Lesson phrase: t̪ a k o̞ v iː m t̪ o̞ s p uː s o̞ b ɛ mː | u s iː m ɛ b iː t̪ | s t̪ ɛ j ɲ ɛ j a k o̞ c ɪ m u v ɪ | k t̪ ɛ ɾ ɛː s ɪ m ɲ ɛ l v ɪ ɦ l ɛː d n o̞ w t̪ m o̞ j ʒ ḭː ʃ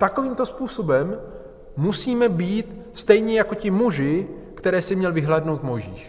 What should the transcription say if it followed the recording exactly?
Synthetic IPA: t̪ a k o̞ v iː m t̪ o̞ s p uː s o̞ b ɛ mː | u s iː m ɛ b iː t̪ | s t̪ ɛ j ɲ ɛ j a k o̞ c ɪ m u ʒ ɪ | k t̪ ɛ ɾ ɛː s ɪ m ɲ ɛ l v ɪ ɦ l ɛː d n o̞ w t̪ m o̞ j ʒ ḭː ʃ